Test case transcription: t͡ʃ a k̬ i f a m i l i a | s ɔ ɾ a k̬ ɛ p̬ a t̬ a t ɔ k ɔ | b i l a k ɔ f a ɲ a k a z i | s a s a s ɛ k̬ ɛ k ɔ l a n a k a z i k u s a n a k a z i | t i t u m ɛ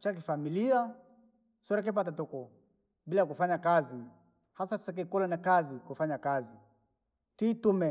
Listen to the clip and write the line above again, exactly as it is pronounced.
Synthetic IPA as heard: t͡ʃ a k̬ i f a m i l i a | s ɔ ɾ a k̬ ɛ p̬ a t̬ a t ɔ k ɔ | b i l a k u f a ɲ a k a z i | h a s a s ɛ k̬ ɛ k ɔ l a n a k a z i k u f a ɲ a k a z i | t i t u m ɛ